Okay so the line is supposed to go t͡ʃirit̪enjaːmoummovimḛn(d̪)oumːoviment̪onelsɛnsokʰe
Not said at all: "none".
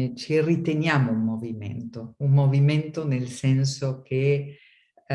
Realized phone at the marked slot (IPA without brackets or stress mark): t̪